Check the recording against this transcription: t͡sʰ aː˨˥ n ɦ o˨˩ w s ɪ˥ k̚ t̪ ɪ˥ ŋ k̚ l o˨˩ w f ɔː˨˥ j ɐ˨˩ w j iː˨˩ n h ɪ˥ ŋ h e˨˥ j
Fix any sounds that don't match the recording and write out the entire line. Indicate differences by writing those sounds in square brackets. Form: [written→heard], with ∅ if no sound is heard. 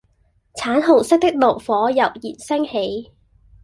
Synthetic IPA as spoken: t͡sʰ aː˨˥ n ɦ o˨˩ w s ɪ˥ k̚ t̪ ɪ˥ [ŋ→∅] k̚ l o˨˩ w f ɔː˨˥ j ɐ˨˩ w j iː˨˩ n [h→s] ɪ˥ ŋ h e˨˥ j